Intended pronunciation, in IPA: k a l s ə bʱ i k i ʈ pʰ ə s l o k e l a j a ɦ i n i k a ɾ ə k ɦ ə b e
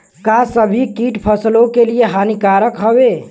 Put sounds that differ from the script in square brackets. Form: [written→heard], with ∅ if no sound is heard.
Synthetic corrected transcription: k a [l→∅] s ə bʱ i k i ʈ pʰ ə s l o k e l [a→i] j [a→e] ɦ [i→a] n i k a ɾ ə k ɦ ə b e